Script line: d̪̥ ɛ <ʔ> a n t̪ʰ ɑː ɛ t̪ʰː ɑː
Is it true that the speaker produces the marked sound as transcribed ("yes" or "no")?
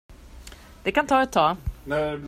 no